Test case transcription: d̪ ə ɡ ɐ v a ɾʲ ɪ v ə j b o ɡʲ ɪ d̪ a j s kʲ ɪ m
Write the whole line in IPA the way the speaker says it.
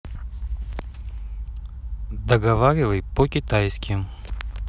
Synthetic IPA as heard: d̪ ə ɡ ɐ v a ɾʲ ɪ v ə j p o kʲ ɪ t̪ a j s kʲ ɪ m